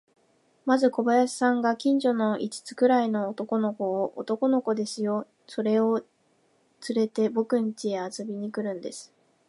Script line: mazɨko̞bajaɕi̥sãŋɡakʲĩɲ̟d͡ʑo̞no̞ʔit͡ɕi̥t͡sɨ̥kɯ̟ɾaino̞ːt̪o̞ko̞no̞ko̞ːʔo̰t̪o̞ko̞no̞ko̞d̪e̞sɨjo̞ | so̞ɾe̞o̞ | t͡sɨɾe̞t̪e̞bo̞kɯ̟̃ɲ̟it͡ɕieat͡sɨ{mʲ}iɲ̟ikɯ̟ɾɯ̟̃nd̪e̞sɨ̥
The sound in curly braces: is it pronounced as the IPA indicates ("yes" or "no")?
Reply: no